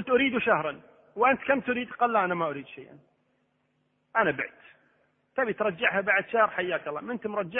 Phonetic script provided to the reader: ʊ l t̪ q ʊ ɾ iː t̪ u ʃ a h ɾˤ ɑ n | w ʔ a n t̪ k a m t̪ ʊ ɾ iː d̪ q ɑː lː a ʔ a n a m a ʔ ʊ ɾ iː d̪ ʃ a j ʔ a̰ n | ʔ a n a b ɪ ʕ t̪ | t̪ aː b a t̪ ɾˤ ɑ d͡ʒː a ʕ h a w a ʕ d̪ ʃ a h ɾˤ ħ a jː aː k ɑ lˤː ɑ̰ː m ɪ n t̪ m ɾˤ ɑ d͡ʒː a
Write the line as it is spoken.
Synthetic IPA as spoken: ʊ l t̪ ʔ ʊ ɾ iː d̪ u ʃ a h ɾˤ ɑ n | w ʔ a n t̪ k a m t̪ ʊ ɾ iː d̪ q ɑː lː a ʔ a n a m a ʔ ʊ ɾ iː d̪ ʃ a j ʔ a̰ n | ʔ a n a b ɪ ʕ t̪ | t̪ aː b i t̪ ɾˤ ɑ d͡ʒː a ʕ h a b a ʕ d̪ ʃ a h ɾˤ ħ a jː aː k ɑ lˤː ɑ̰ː m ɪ n t̪ m ɾˤ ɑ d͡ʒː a